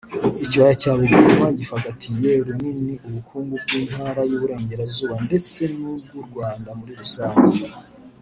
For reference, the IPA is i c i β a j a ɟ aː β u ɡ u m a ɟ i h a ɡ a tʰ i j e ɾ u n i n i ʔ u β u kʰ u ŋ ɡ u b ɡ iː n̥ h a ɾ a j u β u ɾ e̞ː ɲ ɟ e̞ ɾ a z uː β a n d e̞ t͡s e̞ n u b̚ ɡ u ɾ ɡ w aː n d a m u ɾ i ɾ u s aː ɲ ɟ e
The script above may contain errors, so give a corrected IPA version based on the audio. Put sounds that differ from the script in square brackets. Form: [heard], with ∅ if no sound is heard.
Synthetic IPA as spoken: i c i β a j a [c] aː β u ɡ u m a ɟ i [f] a ɡ a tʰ i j e ɾ u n i n i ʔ u β u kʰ [uː] ŋ ɡ u b ɡ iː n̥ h a ɾ a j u β u ɾ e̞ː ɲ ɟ e̞ ɾ a z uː β a n d e̞ t͡s e̞ n u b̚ ɡ u ɾ ɡ w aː n d a m u ɾ i ɾ u s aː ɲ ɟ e